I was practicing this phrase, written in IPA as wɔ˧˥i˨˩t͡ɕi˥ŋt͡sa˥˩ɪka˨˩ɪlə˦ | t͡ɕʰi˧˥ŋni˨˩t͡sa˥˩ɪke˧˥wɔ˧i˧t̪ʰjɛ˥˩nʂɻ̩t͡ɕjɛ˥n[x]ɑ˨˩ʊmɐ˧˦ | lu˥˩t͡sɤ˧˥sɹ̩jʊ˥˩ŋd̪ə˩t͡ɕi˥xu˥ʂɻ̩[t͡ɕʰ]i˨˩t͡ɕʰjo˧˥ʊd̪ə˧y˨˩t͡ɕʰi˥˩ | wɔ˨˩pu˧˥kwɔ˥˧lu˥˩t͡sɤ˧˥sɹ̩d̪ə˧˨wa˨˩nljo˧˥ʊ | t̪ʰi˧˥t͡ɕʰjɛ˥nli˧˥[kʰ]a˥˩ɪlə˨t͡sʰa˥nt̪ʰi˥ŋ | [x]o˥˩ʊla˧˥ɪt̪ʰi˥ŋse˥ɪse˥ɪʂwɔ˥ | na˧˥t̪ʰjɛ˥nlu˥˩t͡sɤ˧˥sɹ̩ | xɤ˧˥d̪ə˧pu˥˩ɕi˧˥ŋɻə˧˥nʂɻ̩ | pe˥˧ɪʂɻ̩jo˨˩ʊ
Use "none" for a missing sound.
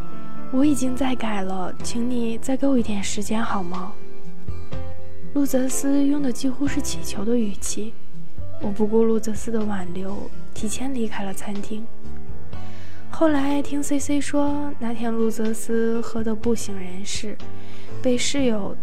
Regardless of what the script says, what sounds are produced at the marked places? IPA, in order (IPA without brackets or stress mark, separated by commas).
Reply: x, t͡ɕʰ, kʰ, x